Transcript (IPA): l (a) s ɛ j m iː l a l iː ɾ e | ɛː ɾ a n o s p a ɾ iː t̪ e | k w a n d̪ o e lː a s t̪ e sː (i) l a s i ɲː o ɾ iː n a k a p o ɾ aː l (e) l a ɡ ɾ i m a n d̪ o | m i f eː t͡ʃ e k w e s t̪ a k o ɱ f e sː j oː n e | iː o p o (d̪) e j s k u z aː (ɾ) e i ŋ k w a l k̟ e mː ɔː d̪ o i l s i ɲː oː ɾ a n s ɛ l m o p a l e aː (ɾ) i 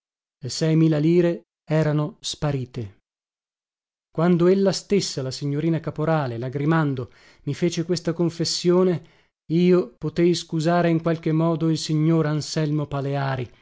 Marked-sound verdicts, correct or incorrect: incorrect: e, incorrect: a, correct, incorrect: t̪, correct, correct

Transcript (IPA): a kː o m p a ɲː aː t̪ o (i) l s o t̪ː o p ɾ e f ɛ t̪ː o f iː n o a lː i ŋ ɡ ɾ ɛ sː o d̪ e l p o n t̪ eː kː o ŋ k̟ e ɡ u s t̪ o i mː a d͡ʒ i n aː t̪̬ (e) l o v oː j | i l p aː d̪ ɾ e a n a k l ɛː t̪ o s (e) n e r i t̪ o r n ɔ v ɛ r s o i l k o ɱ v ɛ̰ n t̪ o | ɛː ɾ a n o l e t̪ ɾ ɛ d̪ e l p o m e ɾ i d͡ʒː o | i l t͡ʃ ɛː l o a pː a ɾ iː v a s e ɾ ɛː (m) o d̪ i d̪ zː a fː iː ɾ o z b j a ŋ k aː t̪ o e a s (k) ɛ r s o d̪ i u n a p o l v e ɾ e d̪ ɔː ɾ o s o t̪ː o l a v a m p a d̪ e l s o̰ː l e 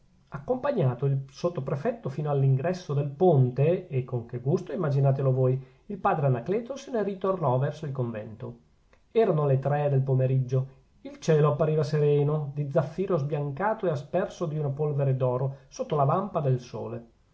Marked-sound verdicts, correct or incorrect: correct, correct, correct, incorrect: n, incorrect: p

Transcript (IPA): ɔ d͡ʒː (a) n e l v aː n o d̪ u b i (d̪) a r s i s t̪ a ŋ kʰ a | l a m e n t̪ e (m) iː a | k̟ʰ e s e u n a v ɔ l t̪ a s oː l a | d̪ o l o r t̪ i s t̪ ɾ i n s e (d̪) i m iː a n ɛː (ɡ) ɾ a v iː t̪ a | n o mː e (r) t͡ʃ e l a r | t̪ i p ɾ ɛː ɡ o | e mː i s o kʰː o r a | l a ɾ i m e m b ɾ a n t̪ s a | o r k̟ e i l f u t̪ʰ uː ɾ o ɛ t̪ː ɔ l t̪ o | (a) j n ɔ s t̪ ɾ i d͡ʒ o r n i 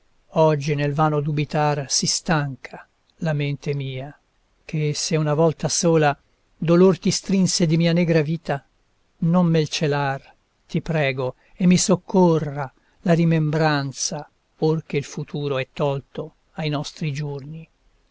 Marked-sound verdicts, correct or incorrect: incorrect: i, incorrect: t̪, correct, correct, correct, incorrect: l, correct

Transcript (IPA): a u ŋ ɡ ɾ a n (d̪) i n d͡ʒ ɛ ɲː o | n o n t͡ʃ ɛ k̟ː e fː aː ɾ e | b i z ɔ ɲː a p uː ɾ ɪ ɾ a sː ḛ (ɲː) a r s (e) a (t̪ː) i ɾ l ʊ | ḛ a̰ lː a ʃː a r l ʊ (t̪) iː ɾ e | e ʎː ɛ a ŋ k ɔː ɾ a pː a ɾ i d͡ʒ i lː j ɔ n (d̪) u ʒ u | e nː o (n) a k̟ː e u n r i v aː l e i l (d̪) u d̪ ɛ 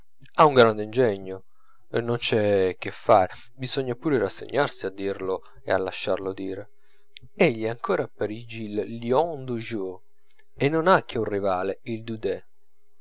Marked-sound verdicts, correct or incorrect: correct, correct, incorrect: i, incorrect: d̪ː, incorrect: d̪, correct, correct, correct

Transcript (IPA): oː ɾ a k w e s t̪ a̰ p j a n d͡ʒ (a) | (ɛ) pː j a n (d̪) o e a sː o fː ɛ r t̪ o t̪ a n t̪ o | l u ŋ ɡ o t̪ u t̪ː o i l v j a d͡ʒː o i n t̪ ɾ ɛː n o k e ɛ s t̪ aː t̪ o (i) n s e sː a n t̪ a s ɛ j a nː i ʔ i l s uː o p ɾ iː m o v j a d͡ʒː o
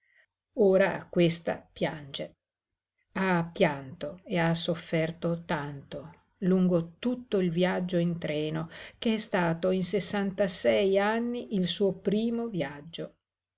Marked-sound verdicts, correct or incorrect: incorrect: e, incorrect: a, incorrect: t̪, correct

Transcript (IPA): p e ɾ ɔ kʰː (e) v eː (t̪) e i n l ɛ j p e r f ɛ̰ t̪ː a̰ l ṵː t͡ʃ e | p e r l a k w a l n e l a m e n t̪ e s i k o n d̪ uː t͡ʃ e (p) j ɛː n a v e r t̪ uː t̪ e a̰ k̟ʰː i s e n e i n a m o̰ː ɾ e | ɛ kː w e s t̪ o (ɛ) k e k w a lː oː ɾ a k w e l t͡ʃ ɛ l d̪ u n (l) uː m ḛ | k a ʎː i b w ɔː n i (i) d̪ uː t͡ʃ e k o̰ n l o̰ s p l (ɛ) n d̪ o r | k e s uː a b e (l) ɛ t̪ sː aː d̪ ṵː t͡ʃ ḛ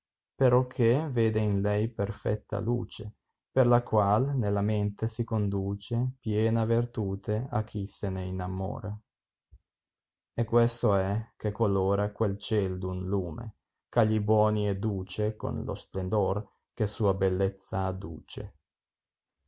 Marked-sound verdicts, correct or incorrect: correct, incorrect: d̪, correct, correct, correct, incorrect: ɛ, incorrect: e, incorrect: lː

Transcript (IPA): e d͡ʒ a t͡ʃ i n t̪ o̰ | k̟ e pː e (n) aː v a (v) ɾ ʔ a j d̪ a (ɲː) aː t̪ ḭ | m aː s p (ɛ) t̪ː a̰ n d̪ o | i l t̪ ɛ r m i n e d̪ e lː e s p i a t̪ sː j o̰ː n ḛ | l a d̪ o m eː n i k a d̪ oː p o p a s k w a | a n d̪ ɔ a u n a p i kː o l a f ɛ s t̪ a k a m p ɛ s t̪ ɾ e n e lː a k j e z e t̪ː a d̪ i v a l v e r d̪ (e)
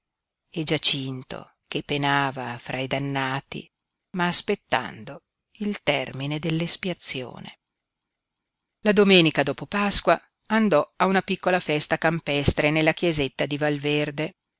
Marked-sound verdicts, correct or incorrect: correct, incorrect: f, incorrect: nː, incorrect: e, correct

